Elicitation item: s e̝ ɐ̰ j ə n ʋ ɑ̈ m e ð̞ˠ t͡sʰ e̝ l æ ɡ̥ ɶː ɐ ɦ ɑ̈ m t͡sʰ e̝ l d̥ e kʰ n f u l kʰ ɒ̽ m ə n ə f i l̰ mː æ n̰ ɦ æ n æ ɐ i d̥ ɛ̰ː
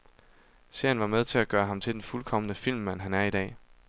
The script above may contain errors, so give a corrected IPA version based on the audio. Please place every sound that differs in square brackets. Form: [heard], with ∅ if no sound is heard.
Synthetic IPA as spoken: s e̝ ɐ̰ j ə n ʋ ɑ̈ m e ð̞ˠ t͡sʰ e̝ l æ ɡ̥ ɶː ɐ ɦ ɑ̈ m t͡sʰ e̝ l d̥ e [∅] n f u l kʰ ɒ̽ m ə n ə f i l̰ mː æ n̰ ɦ æ n æ ɐ i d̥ ɛ̰ː